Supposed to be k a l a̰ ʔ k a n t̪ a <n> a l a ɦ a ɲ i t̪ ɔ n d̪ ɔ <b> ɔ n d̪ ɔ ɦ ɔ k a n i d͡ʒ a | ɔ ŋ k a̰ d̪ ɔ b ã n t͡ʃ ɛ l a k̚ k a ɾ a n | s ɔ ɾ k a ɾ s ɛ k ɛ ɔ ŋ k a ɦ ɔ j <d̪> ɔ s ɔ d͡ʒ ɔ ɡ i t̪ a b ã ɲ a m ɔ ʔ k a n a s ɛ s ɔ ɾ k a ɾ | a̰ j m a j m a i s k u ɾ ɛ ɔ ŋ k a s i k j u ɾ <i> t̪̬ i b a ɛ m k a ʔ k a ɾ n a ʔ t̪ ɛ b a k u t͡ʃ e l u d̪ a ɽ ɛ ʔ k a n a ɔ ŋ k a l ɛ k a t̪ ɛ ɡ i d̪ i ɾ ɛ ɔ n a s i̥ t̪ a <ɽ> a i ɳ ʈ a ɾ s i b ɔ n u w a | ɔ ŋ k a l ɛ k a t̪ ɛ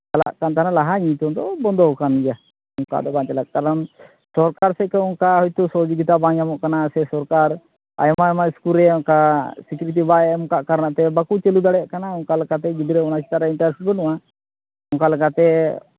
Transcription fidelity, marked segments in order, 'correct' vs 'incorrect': correct, correct, incorrect: t̪, correct, incorrect: ɾ

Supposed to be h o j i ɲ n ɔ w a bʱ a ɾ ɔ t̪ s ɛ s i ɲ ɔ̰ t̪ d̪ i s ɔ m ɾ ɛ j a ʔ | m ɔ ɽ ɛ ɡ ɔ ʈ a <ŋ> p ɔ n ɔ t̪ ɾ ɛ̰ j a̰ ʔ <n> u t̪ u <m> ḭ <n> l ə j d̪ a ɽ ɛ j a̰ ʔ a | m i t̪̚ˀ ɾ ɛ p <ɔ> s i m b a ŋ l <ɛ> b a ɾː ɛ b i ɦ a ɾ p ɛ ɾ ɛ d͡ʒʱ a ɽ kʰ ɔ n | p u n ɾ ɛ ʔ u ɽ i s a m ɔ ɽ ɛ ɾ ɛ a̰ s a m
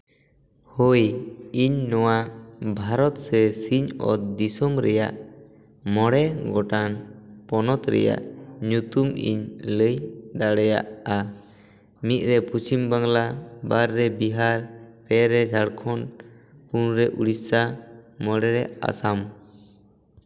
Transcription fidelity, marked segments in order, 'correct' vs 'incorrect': incorrect: n, incorrect: ɲ, correct, incorrect: ɲ, incorrect: u, incorrect: a

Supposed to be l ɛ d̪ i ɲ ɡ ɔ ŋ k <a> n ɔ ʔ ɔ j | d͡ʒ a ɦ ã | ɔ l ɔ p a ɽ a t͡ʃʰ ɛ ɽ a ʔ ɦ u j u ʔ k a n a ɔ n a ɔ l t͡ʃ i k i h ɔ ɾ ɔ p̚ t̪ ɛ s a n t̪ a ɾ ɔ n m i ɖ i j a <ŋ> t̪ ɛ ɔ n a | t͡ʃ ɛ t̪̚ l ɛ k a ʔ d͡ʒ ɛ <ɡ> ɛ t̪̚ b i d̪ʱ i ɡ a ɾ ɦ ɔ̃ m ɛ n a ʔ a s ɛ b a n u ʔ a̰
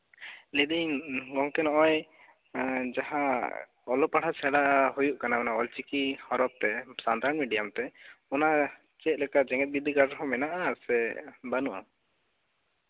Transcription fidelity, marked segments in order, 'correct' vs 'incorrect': incorrect: ɛ, incorrect: m, incorrect: ŋ

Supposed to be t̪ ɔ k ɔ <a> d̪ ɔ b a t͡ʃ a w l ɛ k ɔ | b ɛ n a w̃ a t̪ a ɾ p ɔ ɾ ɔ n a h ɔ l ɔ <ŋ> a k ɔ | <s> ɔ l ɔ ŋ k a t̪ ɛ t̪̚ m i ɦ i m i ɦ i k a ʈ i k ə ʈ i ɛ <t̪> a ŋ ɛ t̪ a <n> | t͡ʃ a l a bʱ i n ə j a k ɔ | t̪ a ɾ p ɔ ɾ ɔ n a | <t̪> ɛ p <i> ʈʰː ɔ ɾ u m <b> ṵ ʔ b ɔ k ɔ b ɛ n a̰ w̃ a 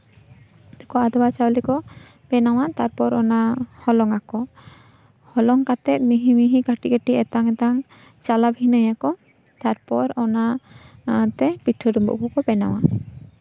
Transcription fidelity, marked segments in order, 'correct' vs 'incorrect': correct, correct, incorrect: h, correct, incorrect: ŋ, correct, correct, correct

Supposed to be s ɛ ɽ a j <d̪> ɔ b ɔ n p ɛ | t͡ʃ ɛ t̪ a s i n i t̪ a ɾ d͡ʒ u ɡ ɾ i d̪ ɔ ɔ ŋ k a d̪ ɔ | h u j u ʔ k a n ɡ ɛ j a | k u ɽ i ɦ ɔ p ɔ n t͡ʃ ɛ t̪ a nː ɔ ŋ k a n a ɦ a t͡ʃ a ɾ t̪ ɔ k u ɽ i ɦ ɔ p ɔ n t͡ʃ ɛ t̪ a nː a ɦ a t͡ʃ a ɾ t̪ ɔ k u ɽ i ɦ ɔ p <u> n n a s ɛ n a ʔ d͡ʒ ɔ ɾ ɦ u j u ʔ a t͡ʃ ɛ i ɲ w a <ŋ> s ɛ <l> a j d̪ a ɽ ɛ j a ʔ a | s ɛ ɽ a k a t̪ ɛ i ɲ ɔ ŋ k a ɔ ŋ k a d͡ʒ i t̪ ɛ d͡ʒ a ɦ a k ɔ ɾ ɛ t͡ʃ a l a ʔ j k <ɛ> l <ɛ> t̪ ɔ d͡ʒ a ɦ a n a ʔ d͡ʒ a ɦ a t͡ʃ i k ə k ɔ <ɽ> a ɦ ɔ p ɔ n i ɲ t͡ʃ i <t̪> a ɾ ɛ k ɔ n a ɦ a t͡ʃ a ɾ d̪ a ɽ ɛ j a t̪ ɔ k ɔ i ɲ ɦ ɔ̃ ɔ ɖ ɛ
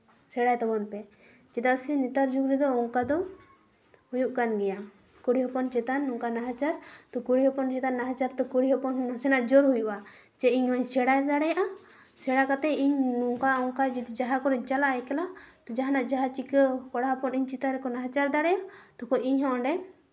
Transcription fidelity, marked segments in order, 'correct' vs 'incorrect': incorrect: t̪, incorrect: ɔ, incorrect: ɲ, incorrect: ɽ, correct, incorrect: a, correct, correct

